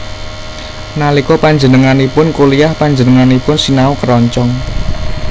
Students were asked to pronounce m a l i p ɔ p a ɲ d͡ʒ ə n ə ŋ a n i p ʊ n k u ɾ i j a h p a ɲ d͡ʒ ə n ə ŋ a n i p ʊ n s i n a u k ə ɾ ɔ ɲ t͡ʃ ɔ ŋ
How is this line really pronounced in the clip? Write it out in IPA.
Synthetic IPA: n a l i k ɔ p a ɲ d͡ʒ ə n ə ŋ a n i p ʊ n k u l i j a h p a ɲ d͡ʒ ə n ə ŋ a n i p ʊ n s i n a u k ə ɾ ɔ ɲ t͡ʃ ɔ ŋ